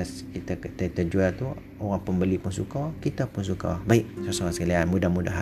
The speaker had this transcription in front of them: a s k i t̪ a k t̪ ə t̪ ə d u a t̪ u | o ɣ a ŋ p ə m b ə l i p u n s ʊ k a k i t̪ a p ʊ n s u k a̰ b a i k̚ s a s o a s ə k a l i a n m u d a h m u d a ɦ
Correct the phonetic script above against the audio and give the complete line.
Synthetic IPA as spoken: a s k i t̪ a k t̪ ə t̪ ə d͡ʒ u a t̪ u | o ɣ a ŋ p ə m b ə l i p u n s u k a k i t̪ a p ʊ n s u k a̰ b a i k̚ s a s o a s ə k a l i a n m u d a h m u d a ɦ